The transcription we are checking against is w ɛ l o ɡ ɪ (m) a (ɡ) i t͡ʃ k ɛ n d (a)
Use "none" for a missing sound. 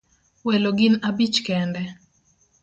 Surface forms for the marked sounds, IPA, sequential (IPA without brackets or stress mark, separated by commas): n, b, ɛ